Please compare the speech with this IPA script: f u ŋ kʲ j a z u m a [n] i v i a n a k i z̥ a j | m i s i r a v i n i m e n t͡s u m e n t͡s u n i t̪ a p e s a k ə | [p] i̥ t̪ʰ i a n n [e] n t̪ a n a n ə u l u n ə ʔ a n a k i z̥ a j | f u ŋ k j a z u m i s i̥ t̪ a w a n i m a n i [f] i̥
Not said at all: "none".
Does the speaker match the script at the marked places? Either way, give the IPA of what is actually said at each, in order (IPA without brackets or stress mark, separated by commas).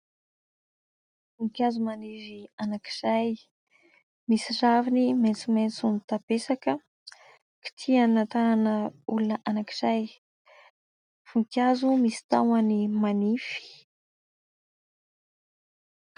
n, k, a, f